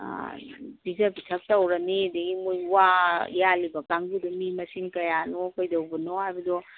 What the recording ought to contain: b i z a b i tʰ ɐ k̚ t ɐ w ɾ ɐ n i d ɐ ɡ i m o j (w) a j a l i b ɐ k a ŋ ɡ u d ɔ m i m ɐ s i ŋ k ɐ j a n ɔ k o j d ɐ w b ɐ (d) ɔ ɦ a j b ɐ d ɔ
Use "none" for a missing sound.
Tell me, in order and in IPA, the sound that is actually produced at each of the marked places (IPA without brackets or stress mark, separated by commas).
w, n